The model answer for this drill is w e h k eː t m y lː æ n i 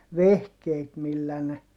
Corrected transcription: ʋ e h k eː t m i lː æ n e